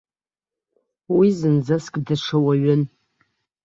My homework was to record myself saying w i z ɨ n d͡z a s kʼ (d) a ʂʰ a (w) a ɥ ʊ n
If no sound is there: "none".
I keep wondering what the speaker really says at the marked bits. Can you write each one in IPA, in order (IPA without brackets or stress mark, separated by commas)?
d, w